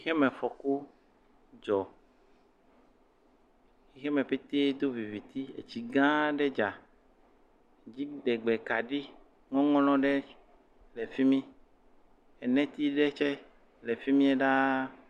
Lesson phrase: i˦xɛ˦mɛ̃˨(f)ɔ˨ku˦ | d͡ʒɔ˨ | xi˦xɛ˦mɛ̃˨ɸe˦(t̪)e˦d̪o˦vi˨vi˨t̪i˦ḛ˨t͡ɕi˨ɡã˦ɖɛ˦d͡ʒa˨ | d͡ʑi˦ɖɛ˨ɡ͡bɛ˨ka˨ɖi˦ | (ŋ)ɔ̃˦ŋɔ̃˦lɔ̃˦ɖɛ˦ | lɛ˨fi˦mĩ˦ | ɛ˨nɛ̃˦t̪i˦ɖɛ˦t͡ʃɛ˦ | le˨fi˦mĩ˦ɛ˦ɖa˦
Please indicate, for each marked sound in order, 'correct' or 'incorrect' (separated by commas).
correct, correct, correct